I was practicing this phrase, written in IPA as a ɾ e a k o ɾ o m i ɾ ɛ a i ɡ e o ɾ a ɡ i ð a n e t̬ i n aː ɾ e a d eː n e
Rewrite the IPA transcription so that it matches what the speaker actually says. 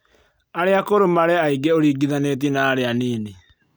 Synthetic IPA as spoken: a ɾ e a k o ɾ o m a ɾ ɛ a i ɡ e o ɾ i ɡ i ð a n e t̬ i n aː ɾ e a n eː n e